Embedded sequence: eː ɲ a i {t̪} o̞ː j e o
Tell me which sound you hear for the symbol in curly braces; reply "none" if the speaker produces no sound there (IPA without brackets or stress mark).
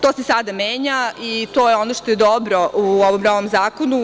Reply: t̪